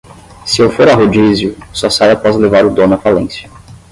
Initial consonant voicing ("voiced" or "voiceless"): voiceless